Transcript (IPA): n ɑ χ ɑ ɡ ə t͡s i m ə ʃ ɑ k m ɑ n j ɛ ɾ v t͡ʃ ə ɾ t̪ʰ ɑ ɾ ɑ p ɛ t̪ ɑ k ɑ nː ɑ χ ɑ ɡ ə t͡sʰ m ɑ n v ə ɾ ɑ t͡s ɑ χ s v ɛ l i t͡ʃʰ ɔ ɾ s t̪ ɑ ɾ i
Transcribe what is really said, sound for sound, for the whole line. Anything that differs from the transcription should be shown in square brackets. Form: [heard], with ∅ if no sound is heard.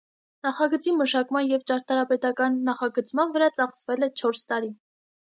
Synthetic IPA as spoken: n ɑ χ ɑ ɡ ə t͡s i m ə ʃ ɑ k m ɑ n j ɛ [∅] v t͡ʃ [ɑ] ɾ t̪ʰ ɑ ɾ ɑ p ɛ t̪ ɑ k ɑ nː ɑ χ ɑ ɡ ə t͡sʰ m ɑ n v ə ɾ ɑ t͡s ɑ χ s v ɛ l [ɛ] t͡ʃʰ ɔ ɾ s t̪ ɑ ɾ i